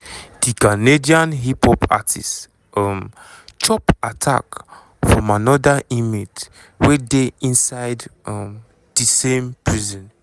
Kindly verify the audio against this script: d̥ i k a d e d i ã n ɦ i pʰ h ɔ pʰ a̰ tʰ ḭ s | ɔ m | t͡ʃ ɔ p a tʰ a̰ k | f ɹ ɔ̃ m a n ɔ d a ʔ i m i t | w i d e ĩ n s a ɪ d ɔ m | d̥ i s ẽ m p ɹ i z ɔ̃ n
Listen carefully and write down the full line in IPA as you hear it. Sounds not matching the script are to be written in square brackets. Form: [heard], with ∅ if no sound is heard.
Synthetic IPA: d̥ i k a [n] e d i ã n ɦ i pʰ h ɔ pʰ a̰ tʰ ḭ s | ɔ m | t͡ʃ ɔ p a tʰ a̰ k | f ɹ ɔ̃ m a n ɔ d a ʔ i m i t | w [e] d e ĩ n s a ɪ d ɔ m | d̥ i s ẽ m p ɹ i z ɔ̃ n